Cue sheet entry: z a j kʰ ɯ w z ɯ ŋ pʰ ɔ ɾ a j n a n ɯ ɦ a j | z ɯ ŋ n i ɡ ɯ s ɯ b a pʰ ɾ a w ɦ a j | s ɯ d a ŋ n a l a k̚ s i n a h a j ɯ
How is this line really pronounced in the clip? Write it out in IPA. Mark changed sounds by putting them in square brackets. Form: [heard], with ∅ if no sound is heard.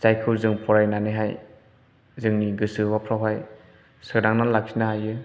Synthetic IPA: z a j kʰ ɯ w z ɯ ŋ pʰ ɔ ɾ a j n a n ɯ ɦ a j | z ɯ ŋ n i ɡ ɯ s ɯ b a pʰ ɾ a w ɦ a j | s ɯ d a ŋ n a l a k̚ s i n a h a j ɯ